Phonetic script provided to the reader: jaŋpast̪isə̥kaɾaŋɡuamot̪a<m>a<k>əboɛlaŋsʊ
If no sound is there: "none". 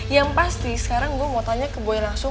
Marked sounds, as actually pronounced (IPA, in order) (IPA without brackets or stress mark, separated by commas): ɲ, k